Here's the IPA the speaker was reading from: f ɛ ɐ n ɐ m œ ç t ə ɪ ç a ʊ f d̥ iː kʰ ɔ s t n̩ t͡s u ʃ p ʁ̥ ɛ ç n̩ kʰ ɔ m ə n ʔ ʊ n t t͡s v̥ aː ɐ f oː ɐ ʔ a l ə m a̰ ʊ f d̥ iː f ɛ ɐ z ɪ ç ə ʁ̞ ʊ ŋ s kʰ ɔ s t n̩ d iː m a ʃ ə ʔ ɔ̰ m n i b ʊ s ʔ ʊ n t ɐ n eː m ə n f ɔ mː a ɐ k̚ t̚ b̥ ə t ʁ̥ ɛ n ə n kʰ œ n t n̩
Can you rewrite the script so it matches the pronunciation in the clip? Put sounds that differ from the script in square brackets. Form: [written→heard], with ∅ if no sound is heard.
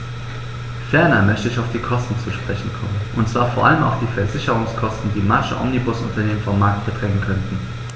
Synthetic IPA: f ɛ ɐ n ɐ m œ ç t ə ɪ ç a ʊ f d̥ iː kʰ ɔ s t n̩ t͡s u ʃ p ʁ̥ ɛ ç n̩ kʰ ɔ m ə n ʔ ʊ n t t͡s v̥ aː ɐ f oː ɐ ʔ a l ə m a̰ ʊ f d̥ iː f ɛ ɐ z ɪ ç ə ʁ̞ ʊ ŋ s kʰ ɔ s t n̩ d iː m a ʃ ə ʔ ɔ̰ m n i b ʊ s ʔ ʊ n t ɐ n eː m ə n f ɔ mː a ɐ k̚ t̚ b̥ ə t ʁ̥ ɛ [n→ŋ] ə n kʰ œ n t n̩